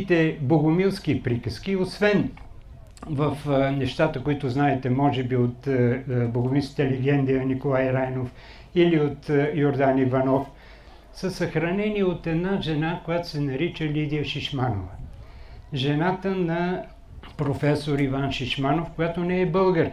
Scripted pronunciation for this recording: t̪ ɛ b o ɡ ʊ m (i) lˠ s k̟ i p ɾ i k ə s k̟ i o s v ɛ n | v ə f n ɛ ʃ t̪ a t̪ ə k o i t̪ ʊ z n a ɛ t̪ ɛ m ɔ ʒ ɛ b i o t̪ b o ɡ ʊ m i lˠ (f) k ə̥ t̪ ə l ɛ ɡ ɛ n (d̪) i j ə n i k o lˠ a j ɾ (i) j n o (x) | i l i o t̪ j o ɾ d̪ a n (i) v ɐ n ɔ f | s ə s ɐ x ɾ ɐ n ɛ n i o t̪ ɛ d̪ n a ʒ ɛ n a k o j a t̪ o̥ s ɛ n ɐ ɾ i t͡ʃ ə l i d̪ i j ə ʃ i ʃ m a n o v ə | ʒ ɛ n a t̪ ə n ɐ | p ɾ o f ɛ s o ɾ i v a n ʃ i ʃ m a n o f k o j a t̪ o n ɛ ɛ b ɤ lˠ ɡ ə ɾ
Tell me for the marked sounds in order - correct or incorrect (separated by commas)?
correct, incorrect, correct, incorrect, incorrect, correct